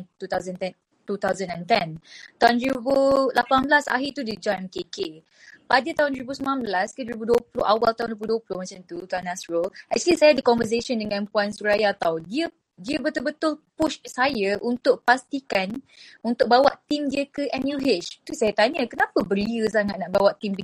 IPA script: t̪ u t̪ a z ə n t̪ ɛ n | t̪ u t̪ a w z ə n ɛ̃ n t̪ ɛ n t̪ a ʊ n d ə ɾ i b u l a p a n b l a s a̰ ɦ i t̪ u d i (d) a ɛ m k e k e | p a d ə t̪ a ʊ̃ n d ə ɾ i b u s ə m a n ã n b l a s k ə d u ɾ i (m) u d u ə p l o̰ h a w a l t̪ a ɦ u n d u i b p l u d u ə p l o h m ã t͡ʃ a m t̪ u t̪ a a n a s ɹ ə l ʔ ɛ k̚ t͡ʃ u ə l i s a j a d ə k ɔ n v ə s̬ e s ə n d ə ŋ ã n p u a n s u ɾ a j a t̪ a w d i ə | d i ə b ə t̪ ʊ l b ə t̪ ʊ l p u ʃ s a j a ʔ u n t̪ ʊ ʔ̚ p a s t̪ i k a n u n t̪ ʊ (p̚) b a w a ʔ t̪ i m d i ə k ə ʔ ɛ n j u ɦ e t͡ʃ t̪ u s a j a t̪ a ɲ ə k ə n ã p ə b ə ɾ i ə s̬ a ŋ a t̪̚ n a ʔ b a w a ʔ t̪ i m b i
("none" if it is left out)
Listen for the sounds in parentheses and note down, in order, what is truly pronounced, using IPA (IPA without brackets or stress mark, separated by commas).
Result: d͡ʒ, b, k̚